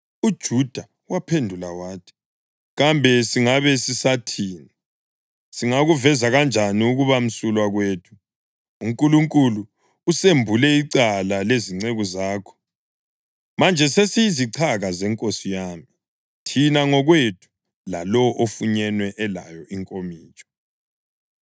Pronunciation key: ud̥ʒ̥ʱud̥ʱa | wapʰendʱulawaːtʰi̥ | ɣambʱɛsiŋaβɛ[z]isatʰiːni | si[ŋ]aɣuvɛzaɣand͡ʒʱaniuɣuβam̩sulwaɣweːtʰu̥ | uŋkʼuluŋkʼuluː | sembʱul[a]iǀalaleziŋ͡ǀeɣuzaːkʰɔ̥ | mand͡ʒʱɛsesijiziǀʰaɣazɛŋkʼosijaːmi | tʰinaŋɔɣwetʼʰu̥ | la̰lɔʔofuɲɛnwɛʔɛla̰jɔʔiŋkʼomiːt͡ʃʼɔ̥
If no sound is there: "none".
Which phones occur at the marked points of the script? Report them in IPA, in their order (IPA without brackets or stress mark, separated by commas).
s, ŋ, ɛ